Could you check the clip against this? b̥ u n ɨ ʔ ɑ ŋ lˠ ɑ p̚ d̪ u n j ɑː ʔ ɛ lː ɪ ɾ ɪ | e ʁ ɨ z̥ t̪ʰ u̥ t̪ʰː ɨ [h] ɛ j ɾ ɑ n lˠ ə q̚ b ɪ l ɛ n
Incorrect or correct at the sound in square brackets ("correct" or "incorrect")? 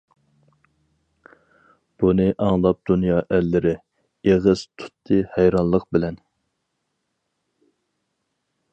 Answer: correct